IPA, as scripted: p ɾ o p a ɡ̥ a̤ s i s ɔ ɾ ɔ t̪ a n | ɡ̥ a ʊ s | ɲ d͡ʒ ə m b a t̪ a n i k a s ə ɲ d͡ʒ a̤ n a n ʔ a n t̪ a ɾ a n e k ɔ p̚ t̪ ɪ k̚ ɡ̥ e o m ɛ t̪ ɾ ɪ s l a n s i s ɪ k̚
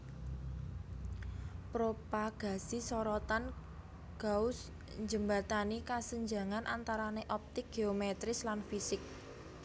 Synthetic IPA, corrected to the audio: p ɾ o p a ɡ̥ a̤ s i s ɔ ɾ ɔ t̪ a n | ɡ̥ a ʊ s | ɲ d͡ʒ ə m b a t̪ a n i k a s ə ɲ d͡ʒ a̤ ŋ a n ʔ a n t̪ a ɾ a n e ʔ ɔ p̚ t̪ ɪ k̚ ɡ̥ e o m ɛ t̪ ɾ ɪ s l a n f i s ɪ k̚